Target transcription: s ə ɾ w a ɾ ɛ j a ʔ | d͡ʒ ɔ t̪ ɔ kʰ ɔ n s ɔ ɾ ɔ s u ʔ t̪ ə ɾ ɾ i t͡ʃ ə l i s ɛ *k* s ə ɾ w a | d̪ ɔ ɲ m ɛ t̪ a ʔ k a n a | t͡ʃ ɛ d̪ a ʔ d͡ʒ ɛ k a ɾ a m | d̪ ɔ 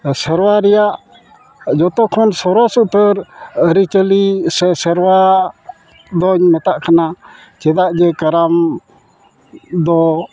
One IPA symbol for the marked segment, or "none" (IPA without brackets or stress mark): none